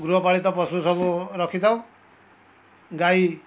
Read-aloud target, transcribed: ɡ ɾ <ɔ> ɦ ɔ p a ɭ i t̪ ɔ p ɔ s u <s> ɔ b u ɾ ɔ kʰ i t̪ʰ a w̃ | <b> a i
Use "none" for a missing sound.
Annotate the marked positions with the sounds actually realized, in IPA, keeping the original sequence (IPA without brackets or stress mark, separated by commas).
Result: u, s, ɡ